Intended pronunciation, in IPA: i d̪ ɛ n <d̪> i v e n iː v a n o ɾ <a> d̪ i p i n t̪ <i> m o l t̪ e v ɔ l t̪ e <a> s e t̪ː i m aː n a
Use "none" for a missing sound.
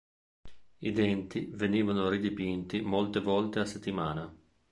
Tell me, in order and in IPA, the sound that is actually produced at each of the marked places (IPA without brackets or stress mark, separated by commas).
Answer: t̪, i, i, a